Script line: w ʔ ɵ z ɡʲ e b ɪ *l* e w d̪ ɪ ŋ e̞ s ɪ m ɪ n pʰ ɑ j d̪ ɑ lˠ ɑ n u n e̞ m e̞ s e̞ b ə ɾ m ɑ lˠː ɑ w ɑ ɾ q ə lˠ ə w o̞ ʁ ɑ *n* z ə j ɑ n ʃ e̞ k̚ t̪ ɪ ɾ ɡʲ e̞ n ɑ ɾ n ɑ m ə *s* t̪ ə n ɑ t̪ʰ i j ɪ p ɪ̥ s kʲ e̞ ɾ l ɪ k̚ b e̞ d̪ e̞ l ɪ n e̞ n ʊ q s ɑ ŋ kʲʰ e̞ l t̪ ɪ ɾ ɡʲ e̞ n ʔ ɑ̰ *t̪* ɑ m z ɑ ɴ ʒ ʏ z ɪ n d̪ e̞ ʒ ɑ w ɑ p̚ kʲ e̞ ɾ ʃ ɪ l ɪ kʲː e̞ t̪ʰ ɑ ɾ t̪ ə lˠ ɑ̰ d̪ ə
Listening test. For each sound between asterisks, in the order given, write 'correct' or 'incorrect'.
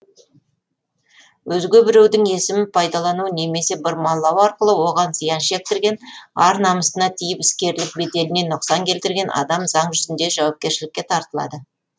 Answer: incorrect, correct, correct, incorrect

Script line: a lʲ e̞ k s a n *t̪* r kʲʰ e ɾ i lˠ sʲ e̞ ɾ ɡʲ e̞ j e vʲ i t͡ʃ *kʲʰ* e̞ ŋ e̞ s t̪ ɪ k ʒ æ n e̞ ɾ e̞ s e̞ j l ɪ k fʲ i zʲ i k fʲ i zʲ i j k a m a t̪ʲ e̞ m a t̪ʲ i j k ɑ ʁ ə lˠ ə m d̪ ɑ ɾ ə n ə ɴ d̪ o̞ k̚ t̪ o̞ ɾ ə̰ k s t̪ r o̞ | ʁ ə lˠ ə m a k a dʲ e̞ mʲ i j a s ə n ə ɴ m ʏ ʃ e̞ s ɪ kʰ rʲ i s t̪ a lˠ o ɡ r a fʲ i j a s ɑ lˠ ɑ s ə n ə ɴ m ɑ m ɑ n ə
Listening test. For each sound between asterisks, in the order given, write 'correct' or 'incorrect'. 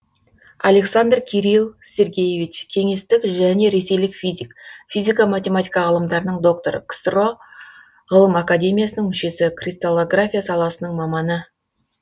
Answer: incorrect, correct

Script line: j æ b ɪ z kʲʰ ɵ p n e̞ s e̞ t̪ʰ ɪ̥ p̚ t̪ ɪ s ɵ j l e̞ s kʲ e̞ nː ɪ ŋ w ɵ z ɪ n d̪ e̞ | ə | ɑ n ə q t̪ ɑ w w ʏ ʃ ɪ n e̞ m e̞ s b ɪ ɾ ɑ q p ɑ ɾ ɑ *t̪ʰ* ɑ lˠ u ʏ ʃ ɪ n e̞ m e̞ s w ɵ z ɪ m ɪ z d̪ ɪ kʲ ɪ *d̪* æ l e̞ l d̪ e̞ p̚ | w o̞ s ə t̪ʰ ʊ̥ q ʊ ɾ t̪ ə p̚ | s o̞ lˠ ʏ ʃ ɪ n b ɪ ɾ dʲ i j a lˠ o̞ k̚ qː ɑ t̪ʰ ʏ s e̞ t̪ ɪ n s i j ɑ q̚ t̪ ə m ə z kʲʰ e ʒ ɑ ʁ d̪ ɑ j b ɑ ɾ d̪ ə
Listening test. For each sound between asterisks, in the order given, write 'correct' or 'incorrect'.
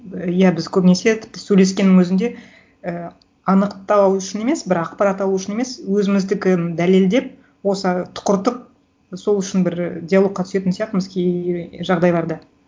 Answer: incorrect, correct

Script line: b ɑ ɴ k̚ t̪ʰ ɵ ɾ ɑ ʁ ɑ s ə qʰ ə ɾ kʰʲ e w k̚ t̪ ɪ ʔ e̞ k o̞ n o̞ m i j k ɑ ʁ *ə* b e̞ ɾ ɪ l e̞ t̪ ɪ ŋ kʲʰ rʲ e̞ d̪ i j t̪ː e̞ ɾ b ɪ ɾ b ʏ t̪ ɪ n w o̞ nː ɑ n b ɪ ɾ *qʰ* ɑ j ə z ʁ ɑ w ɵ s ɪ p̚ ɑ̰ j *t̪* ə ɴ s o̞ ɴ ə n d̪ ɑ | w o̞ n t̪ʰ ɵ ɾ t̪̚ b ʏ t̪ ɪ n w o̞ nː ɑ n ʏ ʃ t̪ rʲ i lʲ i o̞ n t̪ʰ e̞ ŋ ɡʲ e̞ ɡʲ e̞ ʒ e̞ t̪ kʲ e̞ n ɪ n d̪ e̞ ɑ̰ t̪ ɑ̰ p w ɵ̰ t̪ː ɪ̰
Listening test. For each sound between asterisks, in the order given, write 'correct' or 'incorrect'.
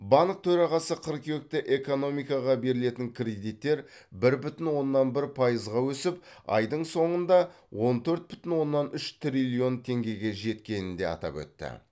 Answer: incorrect, incorrect, incorrect

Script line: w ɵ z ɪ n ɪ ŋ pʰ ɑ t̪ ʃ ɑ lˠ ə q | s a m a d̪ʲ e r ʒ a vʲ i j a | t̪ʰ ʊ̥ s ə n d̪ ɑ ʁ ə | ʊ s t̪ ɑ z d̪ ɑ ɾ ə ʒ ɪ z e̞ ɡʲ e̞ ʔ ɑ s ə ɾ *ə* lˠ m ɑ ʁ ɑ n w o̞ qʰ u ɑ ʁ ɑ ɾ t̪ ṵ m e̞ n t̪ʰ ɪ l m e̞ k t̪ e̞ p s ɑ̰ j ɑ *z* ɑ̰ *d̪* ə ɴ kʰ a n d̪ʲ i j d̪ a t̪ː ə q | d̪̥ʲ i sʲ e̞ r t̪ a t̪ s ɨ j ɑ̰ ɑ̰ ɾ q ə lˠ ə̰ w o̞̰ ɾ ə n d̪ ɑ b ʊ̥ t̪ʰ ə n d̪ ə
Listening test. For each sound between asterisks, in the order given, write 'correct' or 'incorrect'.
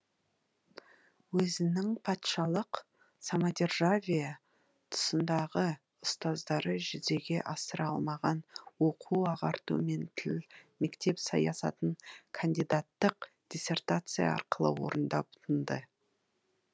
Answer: incorrect, incorrect, incorrect

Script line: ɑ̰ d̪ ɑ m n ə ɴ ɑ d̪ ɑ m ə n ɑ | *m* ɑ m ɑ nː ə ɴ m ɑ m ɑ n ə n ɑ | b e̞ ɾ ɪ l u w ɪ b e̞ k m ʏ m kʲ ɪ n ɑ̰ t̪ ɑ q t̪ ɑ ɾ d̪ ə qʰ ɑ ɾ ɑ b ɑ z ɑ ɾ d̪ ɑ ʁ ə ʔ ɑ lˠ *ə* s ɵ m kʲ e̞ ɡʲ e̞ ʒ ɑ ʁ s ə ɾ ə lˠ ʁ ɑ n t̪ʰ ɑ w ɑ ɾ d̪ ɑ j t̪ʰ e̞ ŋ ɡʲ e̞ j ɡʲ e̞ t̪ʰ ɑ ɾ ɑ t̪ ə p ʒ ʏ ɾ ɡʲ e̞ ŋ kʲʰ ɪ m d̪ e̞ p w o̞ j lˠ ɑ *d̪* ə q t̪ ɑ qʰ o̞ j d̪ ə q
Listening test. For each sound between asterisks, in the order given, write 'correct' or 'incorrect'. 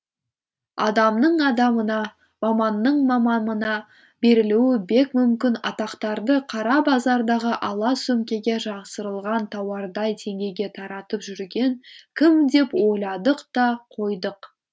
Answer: correct, incorrect, correct

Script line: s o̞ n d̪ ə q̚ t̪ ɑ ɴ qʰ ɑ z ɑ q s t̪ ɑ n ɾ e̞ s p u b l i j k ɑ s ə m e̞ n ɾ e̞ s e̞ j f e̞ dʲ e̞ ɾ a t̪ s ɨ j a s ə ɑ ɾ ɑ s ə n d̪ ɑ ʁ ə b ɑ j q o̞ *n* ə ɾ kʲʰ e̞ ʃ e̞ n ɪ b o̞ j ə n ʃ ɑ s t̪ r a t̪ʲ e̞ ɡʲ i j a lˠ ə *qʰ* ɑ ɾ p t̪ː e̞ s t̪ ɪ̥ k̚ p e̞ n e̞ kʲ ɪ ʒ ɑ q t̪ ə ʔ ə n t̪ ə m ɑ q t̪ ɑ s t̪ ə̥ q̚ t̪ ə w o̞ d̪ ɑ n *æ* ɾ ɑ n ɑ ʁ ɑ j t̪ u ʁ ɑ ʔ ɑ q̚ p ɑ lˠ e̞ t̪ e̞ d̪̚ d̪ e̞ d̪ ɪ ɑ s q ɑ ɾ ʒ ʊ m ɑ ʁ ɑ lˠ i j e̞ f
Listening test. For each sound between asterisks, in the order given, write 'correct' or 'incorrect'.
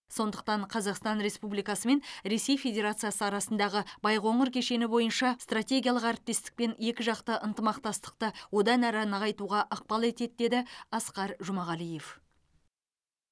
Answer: incorrect, incorrect, correct

